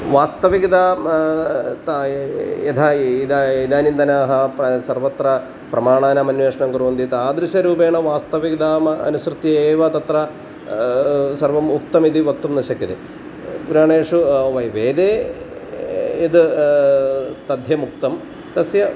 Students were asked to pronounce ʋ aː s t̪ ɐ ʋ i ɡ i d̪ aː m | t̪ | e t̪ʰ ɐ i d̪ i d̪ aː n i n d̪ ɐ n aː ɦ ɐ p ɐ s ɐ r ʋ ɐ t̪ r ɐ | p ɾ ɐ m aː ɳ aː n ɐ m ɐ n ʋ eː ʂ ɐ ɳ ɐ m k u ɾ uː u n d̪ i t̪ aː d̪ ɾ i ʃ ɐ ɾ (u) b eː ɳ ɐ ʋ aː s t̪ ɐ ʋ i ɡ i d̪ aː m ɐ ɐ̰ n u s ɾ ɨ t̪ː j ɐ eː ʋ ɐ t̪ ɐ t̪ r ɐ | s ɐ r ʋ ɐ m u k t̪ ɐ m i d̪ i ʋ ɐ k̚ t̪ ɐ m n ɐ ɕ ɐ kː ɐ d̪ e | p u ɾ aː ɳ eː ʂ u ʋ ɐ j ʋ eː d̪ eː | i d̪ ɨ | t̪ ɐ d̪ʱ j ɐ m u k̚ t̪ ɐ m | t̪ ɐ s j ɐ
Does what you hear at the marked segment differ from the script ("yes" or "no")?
yes